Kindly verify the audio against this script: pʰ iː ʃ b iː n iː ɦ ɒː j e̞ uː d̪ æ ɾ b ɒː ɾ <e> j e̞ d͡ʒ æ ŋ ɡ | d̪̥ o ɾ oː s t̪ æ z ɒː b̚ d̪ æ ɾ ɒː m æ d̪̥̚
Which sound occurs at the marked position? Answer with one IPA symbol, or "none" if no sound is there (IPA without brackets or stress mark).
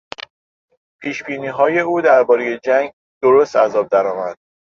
e